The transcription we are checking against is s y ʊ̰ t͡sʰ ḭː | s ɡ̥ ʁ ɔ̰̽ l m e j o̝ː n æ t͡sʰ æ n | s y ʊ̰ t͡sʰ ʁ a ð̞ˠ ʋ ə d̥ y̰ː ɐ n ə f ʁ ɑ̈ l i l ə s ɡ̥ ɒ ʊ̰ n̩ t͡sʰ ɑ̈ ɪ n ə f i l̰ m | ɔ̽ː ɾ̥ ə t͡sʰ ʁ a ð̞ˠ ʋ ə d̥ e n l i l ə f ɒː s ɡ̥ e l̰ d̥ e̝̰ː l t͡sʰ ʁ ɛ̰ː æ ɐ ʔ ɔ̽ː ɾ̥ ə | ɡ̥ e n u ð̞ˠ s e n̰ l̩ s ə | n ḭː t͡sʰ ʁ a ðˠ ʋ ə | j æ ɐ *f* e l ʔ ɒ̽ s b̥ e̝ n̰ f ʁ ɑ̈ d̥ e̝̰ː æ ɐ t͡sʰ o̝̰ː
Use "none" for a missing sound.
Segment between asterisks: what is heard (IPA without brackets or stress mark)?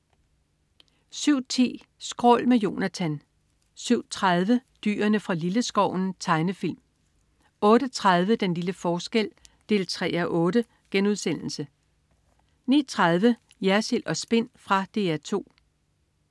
s